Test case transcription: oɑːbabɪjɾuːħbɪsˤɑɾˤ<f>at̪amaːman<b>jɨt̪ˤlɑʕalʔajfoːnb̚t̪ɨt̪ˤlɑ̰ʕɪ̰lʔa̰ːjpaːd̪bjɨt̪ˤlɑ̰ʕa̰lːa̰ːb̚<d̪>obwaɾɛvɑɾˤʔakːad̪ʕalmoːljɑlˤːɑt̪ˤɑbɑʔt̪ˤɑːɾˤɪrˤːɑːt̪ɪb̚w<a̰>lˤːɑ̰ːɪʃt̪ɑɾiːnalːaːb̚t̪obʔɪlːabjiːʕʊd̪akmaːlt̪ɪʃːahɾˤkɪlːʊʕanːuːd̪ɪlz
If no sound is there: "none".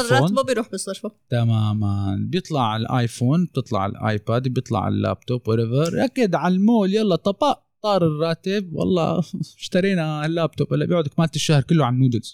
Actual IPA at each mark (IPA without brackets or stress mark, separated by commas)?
f, b, t̪, ɑ̰